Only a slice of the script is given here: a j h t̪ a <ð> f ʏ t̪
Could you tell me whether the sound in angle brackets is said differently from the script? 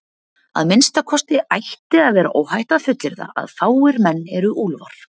no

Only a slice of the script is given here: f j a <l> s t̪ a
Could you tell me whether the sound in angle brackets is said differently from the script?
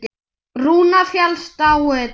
no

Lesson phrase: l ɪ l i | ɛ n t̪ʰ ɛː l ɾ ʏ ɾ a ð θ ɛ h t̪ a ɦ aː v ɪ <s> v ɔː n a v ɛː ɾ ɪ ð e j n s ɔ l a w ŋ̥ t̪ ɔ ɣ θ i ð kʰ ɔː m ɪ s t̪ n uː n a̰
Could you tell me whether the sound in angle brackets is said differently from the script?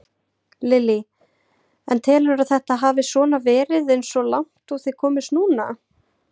no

